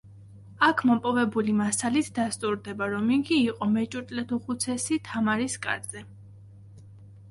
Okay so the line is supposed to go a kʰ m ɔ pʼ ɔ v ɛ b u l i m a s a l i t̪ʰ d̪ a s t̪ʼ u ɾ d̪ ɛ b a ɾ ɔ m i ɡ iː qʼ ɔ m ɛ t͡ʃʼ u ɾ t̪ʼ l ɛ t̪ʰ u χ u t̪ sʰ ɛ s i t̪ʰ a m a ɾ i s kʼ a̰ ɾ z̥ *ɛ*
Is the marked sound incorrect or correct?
correct